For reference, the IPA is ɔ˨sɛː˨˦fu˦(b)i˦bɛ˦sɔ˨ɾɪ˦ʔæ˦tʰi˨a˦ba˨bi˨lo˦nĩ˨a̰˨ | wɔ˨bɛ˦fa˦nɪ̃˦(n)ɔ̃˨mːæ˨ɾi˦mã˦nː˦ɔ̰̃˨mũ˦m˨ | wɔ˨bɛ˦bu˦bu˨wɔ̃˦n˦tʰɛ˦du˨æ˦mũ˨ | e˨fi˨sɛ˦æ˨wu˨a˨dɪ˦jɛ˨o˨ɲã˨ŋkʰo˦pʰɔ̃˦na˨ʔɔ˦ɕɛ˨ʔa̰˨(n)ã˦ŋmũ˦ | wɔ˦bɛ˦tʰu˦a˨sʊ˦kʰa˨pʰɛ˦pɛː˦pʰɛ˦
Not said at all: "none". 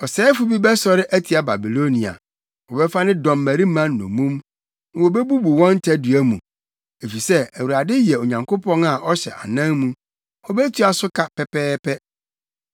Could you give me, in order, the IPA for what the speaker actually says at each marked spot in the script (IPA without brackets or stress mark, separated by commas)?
b, d, n